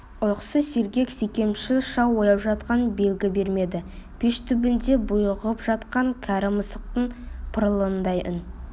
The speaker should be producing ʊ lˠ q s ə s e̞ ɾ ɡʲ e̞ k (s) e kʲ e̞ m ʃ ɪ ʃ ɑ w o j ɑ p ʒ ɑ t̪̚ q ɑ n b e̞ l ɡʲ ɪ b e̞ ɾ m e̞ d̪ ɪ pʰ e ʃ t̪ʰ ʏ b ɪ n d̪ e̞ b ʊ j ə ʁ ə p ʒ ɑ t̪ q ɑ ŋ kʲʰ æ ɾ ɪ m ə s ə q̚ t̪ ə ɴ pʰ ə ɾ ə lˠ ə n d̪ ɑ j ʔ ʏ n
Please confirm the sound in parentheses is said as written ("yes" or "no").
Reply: yes